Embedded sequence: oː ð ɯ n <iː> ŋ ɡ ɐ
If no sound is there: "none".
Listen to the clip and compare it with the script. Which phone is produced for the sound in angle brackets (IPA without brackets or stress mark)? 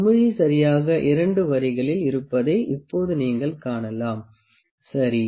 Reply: iː